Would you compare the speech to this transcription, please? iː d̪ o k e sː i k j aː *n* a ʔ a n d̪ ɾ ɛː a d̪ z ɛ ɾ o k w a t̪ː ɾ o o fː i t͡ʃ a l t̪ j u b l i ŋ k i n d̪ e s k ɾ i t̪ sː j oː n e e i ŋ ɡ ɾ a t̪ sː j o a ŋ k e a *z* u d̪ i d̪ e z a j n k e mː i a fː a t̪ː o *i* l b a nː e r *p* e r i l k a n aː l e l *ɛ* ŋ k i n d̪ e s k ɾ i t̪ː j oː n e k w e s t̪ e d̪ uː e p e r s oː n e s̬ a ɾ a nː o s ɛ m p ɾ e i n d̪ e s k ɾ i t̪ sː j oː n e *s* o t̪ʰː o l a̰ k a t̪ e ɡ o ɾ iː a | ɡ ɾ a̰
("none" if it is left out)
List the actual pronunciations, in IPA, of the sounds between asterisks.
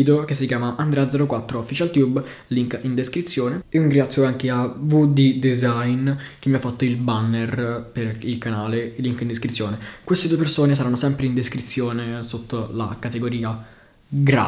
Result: m, v, i, p, i, s

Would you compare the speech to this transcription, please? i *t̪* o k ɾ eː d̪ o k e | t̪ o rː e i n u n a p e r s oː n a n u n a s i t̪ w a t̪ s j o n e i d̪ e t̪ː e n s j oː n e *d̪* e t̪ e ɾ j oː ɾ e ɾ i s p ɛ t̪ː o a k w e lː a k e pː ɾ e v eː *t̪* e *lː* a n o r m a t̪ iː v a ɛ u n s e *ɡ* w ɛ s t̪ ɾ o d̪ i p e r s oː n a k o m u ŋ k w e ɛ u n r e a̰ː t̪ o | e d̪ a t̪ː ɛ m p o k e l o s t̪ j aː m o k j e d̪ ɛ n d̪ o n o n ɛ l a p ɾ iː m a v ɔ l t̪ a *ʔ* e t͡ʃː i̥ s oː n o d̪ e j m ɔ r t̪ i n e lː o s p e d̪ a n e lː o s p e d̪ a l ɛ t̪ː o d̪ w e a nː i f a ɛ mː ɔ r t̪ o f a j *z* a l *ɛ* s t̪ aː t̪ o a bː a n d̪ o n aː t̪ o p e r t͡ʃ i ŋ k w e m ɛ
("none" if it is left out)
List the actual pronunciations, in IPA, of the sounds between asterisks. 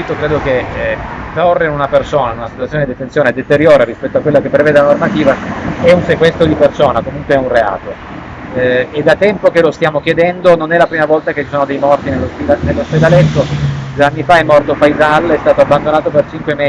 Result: t̪, d̪, d̪, l, k, k, z, ɛ

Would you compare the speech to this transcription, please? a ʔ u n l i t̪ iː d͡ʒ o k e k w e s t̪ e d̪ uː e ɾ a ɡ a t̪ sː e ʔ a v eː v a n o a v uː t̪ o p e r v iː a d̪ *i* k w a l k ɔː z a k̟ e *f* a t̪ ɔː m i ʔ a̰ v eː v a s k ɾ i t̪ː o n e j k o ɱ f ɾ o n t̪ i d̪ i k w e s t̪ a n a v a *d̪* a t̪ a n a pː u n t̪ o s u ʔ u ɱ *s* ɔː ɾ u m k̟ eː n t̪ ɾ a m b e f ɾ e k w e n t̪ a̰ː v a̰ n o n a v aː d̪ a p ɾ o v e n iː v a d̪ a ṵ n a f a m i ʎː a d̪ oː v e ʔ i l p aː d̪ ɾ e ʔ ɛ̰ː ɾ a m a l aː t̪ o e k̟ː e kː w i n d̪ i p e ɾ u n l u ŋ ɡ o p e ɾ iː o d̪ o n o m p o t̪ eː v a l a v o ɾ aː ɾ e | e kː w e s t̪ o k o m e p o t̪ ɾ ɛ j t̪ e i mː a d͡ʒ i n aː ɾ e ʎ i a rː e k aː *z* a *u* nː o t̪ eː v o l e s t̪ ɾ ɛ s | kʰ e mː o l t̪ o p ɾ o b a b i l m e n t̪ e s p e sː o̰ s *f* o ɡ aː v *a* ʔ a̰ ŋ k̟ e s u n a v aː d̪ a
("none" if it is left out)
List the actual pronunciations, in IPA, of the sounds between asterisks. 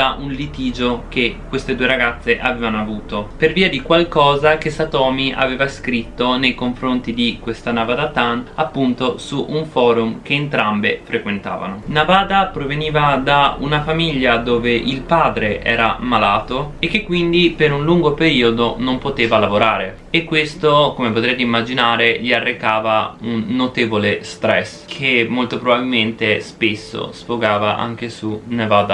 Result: i, s, d̪, f, v, u, f, a

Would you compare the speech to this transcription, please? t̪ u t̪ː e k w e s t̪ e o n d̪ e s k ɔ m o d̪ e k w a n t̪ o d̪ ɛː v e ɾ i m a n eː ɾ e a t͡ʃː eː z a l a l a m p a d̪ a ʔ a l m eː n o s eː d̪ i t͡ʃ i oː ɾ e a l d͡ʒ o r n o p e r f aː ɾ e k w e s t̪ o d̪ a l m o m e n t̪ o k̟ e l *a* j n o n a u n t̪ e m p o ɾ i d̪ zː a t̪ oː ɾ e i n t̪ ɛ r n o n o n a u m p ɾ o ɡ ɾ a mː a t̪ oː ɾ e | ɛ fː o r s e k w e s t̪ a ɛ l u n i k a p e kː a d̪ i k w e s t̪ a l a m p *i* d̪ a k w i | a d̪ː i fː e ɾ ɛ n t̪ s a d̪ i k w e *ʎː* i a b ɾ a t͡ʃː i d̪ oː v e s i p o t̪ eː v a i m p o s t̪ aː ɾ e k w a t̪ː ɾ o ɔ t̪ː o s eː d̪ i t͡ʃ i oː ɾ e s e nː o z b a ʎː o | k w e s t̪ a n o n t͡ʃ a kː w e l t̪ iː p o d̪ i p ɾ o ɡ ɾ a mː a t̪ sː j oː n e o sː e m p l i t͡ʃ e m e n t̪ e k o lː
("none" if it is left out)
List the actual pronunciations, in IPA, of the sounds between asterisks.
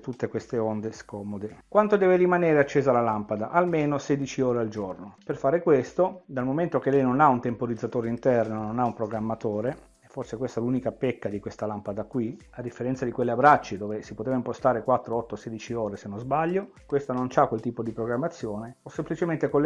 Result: ɛ, a, lː

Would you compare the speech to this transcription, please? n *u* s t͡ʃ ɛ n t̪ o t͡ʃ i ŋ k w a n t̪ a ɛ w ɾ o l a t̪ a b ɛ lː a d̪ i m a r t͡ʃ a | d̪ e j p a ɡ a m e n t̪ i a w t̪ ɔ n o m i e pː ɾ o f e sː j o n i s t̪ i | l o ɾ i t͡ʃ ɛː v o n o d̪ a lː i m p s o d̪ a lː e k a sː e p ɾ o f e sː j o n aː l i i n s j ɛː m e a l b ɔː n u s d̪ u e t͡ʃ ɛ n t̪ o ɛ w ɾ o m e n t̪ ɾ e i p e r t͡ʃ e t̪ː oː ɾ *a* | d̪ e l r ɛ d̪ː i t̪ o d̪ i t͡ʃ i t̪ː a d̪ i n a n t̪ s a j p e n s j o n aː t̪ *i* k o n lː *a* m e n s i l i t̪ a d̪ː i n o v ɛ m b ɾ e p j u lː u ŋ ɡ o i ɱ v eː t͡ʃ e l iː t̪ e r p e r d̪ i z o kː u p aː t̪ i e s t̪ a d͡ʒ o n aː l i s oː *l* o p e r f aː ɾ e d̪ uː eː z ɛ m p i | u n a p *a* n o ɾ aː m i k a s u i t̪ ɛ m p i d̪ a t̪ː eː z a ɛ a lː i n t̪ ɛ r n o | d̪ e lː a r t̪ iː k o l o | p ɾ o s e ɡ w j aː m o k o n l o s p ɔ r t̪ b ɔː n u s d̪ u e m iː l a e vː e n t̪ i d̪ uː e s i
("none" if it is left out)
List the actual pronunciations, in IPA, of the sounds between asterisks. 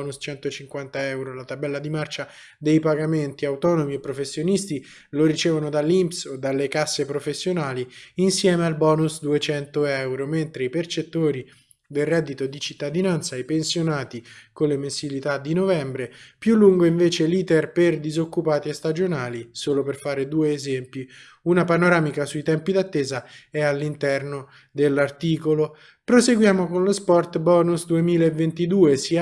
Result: u, i, i, e, l, a

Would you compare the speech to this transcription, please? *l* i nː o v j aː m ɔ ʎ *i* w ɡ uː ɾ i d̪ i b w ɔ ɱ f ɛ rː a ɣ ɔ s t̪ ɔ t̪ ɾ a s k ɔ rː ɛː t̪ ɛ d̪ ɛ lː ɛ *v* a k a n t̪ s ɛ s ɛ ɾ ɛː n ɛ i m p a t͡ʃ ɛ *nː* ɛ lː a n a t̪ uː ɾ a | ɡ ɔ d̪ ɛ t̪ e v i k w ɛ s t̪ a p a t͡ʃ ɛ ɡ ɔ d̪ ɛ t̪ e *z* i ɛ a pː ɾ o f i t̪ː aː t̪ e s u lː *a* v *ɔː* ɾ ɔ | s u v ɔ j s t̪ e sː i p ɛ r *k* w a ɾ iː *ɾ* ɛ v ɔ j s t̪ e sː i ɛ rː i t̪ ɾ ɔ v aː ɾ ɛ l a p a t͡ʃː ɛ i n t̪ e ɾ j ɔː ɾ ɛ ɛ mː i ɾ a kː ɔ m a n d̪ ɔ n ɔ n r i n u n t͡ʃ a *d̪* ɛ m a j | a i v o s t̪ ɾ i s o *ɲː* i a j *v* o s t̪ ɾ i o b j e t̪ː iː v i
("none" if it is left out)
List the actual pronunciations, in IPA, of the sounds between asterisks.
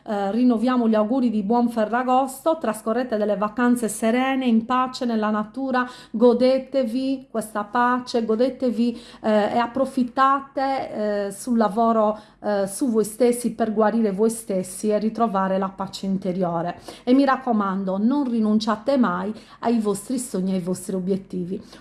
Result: r, a, v, n, v, a, ɔː, ɡ, ɾ, t̪, ɲː, v

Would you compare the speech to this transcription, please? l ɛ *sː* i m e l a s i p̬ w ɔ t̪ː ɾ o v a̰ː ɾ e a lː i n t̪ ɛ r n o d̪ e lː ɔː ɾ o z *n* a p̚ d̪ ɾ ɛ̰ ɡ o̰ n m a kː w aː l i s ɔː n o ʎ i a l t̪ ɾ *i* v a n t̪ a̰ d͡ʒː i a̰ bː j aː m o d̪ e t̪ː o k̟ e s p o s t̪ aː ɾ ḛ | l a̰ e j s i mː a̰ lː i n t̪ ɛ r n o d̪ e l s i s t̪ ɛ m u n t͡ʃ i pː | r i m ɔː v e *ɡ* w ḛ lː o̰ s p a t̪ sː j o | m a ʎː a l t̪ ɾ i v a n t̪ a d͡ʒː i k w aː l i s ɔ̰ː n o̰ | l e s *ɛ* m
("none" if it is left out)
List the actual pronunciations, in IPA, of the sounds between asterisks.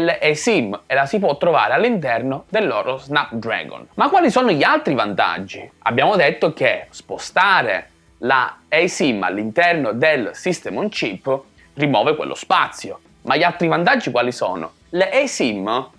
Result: s, n, i, k, i

